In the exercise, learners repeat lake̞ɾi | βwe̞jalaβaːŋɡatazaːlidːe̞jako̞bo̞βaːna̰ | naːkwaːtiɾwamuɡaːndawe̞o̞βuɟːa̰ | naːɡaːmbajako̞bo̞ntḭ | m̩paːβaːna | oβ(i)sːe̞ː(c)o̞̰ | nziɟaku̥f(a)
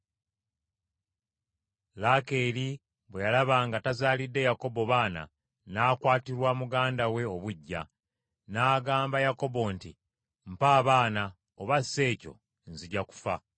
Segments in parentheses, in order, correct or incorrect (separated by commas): incorrect, correct, correct